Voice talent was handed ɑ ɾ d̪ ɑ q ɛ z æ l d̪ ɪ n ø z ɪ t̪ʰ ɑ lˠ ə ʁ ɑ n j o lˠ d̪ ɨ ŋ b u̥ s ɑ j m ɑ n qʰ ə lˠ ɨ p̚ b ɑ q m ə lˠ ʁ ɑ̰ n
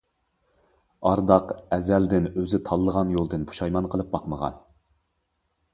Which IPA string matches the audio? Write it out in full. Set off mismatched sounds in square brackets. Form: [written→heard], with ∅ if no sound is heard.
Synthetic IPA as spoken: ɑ ɾ d̪ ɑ q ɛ z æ l d̪ ɪ n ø z ɪ t̪ʰ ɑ [lˠ→lˠː] ə ʁ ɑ n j o lˠ d̪ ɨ [ŋ→n] b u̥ [s→ʃ] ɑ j m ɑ n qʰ ə lˠ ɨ p̚ b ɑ q m ə [lˠ→∅] ʁ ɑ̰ n